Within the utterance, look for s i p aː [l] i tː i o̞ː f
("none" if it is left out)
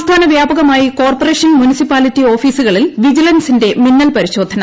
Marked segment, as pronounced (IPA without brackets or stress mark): l